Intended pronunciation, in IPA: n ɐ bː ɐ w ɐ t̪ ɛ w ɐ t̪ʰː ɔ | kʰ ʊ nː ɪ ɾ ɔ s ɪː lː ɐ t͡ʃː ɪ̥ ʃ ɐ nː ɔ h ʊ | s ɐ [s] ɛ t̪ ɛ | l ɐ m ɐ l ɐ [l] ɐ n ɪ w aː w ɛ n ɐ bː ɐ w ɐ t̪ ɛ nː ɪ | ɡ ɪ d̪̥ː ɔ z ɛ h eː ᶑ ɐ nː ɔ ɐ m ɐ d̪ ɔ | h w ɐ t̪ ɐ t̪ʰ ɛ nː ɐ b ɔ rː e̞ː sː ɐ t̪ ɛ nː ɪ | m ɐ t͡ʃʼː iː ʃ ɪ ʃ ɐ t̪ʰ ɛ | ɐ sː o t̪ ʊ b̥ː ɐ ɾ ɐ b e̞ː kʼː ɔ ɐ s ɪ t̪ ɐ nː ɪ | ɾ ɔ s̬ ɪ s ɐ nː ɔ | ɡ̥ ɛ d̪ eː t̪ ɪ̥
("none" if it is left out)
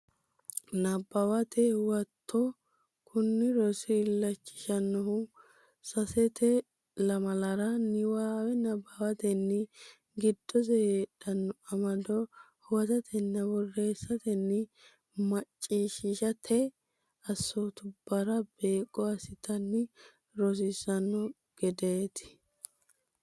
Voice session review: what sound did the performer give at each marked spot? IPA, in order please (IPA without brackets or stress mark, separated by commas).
s, ɾ